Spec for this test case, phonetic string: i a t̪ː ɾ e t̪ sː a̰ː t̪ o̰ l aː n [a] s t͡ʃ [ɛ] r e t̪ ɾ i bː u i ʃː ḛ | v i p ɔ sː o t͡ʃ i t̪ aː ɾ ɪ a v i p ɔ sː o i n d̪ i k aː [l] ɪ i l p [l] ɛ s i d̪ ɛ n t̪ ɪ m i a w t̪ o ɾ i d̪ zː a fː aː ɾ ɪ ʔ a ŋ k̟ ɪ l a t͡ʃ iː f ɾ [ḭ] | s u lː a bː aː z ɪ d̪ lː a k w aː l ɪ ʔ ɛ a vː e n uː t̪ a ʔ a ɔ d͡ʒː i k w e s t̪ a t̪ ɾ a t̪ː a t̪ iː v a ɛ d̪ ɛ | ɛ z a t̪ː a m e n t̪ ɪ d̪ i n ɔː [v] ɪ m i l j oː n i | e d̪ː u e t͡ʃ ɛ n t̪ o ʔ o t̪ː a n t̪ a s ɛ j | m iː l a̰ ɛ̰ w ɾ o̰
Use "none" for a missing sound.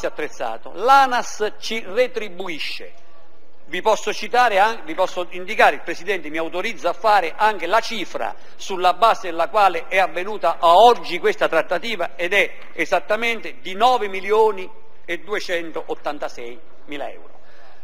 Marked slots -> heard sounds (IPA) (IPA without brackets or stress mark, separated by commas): a, i, ɾ, ɾ, a̰, v